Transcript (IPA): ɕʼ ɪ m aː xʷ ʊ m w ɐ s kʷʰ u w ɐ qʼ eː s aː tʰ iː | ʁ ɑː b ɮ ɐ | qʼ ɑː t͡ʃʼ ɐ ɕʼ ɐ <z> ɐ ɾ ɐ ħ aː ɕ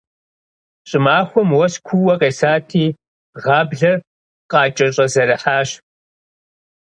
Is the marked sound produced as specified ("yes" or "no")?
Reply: yes